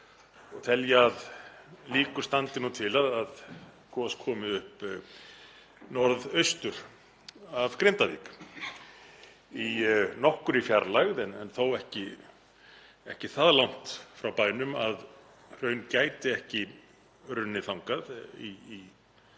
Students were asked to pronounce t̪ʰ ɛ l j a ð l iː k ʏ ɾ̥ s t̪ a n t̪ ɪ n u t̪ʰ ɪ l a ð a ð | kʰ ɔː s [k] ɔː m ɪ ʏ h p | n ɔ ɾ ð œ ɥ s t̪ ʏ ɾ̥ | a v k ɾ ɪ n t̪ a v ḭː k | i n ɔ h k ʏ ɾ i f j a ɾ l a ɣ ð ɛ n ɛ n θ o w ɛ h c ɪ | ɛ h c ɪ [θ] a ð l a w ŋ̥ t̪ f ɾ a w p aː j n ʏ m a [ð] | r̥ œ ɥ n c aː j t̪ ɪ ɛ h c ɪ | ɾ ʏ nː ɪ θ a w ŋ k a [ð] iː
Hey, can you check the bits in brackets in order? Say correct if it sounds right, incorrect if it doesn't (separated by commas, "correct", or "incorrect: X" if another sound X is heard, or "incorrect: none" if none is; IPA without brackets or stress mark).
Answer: incorrect: kʰ, correct, correct, correct